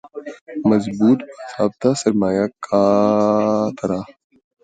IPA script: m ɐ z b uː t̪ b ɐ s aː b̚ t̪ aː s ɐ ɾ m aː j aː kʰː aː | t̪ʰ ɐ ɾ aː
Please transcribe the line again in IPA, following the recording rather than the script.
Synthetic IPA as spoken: m ɐ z b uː t̪ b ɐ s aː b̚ t̪ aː s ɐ ɾ m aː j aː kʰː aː | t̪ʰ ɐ ɾ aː